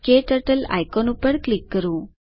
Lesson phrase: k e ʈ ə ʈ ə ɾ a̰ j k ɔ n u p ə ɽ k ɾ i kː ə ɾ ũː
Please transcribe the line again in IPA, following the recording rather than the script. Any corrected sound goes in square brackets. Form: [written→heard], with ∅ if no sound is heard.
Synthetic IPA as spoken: k e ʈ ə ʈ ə [ɾ→l] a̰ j k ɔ n u p ə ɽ k [ɾ→l] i kː ə ɾ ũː

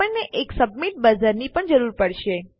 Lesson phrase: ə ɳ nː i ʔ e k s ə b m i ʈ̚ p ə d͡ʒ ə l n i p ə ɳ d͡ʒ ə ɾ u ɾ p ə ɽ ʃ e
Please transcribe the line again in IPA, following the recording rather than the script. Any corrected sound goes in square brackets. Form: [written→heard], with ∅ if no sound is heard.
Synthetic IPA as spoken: ə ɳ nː [i→e] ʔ e k s ə b m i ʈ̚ [p→b] ə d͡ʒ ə [l→ɾ] n i p ə ɳ d͡ʒ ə ɾ u ɾ p ə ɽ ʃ e

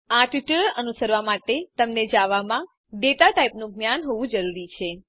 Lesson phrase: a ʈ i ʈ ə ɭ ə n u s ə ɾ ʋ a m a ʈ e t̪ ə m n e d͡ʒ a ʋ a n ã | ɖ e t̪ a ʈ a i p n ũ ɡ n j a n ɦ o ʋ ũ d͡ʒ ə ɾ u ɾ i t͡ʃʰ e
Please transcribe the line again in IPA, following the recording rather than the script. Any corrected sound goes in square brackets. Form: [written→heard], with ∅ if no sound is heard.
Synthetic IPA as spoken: a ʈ i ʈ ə ɭ ə n u s ə ɾ ʋ a m a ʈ e t̪ ə m n e d͡ʒ a ʋ a [n→m] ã | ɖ e t̪ a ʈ a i p n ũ ɡ n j a n ɦ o ʋ ũ d͡ʒ ə ɾ u ɾ i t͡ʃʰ e

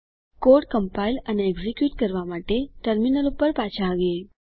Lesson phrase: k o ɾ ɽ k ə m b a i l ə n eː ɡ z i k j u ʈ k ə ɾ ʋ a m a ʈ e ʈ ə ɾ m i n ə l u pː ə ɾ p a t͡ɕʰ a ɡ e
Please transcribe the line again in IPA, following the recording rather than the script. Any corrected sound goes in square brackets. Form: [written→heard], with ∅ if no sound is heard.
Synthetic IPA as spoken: k o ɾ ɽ k ə m [b→p] a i l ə n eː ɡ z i k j u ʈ k ə ɾ ʋ a m a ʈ e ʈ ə ɾ m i n ə l u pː ə ɾ p a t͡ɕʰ a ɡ e

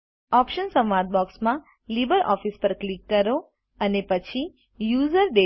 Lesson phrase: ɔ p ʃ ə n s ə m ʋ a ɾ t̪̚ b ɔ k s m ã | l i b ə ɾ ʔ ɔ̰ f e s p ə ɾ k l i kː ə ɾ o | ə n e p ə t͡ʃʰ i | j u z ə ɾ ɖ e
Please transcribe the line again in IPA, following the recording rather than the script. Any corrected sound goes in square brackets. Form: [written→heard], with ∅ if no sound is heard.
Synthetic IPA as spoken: ɔ p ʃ ə n s ə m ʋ a ɾ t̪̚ b ɔ k s m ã | l i b ə ɾ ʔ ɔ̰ f [e→i] s p ə ɾ k l i kː ə ɾ o | ə n e p ə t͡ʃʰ i | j u z ə ɾ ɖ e

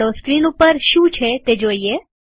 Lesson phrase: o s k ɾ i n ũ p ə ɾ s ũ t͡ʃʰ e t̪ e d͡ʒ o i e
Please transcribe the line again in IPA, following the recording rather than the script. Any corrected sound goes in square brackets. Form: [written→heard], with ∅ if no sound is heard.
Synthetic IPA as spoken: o s k ɾ i n [ũ→u] p ə ɾ [s→ʃ] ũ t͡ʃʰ e t̪ e d͡ʒ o i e

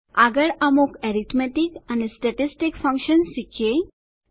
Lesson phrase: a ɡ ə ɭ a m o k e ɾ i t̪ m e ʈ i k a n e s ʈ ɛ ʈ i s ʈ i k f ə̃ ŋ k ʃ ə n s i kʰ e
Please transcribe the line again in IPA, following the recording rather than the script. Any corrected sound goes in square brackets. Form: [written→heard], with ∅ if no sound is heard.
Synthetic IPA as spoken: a ɡ ə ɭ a m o k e ɾ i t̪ m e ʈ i k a n e s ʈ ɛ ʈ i s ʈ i k f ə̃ ŋ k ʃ ə n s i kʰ e

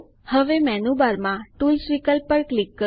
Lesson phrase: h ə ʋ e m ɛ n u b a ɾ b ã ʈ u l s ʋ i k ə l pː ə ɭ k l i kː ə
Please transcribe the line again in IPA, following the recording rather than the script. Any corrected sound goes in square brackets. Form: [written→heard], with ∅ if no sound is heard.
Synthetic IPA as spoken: h ə ʋ e m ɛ n u b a ɾ [b→m] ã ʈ u l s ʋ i k ə l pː ə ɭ k l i kː ə

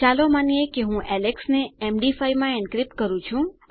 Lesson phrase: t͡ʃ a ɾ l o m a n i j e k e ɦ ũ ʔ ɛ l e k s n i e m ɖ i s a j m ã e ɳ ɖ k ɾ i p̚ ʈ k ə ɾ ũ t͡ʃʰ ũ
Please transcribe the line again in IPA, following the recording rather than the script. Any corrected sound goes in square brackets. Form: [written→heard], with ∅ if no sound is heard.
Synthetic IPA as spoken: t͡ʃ a [ɾ→∅] l o m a n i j e k e ɦ ũ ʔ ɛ l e k s n [i→e] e m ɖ i [s→f] a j m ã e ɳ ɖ k ɾ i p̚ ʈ k ə ɾ ũ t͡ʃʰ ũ

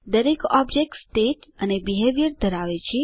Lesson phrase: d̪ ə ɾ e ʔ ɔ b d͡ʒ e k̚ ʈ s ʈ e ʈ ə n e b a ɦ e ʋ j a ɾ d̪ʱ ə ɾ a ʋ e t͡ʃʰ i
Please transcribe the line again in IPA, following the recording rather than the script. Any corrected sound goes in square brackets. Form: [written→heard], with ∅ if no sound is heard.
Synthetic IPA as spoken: d̪ ə ɾ e [ʔ→k] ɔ b d͡ʒ e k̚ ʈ s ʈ e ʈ ə n e b [a→i] ɦ e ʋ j [a→ə] ɾ d̪ʱ ə ɾ a ʋ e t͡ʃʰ i

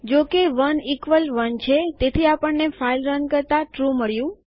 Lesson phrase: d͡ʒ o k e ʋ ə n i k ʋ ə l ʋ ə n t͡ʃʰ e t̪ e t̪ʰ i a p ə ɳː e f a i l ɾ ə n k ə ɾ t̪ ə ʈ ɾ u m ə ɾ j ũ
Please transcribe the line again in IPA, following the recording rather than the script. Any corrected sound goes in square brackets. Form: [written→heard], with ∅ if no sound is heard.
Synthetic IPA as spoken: d͡ʒ o k e ʋ ə n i k ʋ ə l ʋ ə n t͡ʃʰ e t̪ e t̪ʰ i a p ə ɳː e f a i l ɾ ə n k ə ɾ t̪ [ə→a] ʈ ɾ u m ə [ɾ→ɭ] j ũ

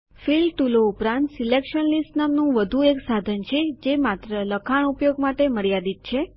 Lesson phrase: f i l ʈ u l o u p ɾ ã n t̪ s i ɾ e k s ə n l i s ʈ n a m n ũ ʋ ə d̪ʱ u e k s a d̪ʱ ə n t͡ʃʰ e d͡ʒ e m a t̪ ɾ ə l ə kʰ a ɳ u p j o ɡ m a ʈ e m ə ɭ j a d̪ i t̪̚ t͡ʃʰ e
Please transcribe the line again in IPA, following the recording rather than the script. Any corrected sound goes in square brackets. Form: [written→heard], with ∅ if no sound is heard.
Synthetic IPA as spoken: f i l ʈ u l o u p ɾ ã n t̪ s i [ɾ→l] e k [s→ʃ] ə n l i s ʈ n a m n ũ ʋ ə d̪ʱ u e k s a d̪ʱ ə n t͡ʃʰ e d͡ʒ e m a t̪ ɾ ə l ə kʰ a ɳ u p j o ɡ m a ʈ e m ə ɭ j a d̪ i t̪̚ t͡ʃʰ e

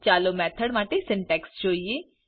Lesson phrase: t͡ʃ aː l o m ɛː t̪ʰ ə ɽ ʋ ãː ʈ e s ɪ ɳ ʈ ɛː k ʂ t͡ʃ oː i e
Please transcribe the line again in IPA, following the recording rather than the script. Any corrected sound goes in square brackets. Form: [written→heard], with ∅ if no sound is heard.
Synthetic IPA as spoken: t͡ʃ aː l o m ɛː t̪ʰ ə ɽ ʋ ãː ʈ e s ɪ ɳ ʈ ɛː k [ʂ→s] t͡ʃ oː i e

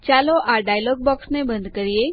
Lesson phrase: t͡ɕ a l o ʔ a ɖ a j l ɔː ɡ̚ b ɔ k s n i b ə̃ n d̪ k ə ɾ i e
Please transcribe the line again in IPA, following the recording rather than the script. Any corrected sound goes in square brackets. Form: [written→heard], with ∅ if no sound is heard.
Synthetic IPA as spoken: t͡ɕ a l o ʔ a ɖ a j l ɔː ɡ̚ b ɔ k s n [i→e] b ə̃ n d̪ k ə ɾ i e

